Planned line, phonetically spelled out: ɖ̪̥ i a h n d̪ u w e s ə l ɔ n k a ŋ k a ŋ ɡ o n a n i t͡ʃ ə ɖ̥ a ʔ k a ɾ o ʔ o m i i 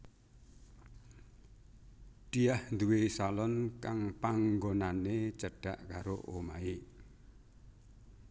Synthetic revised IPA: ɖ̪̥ i a h n d̪ u w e s a l ɔ n k a ŋ p a ŋ ɡ o n a n e t͡ʃ ə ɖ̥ a ʔ k a ɾ o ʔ o m a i